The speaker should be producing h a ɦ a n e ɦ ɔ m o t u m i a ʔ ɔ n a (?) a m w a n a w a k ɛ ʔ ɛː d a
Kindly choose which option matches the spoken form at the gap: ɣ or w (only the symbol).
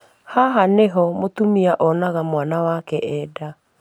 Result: ɣ